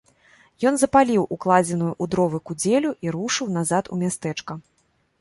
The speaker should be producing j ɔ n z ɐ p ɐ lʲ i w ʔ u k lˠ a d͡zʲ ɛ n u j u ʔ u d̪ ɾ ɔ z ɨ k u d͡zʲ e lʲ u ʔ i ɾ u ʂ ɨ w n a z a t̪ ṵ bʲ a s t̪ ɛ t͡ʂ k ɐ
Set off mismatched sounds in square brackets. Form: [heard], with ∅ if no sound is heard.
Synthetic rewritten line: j ɔ n z ɐ p [a] lʲ i w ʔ u k lˠ a d͡zʲ ɛ n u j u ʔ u d̪ ɾ ɔ [v] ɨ k u d͡zʲ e lʲ u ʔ i ɾ u ʂ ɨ w n a z a t̪ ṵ [mʲ] a s t̪ ɛ t͡ʂ k ɐ